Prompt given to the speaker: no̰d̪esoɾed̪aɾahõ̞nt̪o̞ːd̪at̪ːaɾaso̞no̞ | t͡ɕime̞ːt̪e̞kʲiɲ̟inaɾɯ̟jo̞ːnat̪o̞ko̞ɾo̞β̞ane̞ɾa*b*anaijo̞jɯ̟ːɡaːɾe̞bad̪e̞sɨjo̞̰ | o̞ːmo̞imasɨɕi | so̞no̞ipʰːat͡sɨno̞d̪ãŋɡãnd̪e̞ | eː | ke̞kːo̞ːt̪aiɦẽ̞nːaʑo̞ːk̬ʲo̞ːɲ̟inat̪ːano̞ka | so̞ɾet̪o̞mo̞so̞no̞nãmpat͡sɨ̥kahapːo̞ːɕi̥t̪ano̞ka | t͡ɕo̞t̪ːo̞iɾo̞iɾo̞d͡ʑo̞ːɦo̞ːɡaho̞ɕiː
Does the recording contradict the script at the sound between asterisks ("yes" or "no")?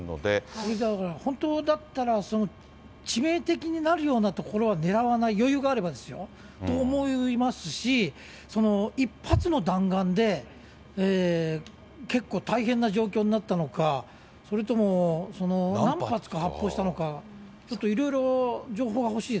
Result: yes